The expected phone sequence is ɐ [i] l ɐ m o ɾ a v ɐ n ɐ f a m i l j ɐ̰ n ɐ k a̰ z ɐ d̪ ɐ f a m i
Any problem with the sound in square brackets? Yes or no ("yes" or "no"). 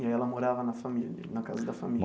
yes